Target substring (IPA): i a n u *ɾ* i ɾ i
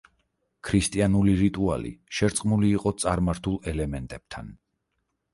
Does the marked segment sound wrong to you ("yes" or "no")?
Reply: yes